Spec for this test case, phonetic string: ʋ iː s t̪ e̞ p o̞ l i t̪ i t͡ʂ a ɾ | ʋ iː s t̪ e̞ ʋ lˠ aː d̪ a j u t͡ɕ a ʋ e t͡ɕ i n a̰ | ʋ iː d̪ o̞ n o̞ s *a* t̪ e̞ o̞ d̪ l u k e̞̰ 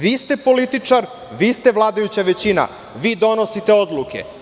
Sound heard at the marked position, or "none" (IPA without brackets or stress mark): i